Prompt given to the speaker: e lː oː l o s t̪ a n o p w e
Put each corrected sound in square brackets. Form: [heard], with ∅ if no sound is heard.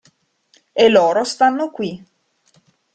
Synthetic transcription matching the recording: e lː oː [ɾ] o s t̪ a [nː] o [k] w [i]